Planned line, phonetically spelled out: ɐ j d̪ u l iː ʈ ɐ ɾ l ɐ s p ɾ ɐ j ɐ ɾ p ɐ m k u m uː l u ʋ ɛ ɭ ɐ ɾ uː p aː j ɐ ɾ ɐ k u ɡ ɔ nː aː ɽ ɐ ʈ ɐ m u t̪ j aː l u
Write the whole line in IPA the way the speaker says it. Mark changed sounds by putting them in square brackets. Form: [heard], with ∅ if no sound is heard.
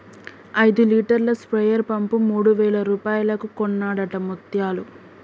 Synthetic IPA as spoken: ɐ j d̪ u l iː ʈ ɐ ɾ l ɐ s p ɾ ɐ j ɐ ɾ p ɐ m [p] u m uː [ɽ] u ʋ [ɛː] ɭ ɐ ɾ uː p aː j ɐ [l] ɐ k u [k] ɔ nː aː ɽ ɐ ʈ ɐ m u t̪ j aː l u